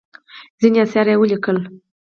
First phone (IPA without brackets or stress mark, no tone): z